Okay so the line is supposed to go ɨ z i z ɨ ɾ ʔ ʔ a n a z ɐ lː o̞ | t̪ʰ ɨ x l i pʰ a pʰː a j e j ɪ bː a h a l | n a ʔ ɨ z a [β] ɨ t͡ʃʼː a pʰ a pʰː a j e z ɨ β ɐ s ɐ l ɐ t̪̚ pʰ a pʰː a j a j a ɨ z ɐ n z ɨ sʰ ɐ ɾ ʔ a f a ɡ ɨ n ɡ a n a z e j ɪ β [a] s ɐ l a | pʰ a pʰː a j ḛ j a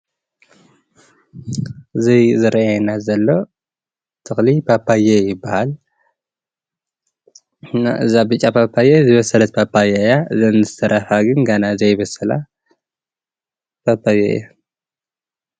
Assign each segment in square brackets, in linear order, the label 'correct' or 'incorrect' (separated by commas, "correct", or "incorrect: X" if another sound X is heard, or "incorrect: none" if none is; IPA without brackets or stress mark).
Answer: incorrect: b, incorrect: ɐ